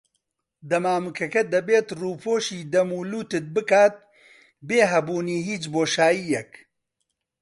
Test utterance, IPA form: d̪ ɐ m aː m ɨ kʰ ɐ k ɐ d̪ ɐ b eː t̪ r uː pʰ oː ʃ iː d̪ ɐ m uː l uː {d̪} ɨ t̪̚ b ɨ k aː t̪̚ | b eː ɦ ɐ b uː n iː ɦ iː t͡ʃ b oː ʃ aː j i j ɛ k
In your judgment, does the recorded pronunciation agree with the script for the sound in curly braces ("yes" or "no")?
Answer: no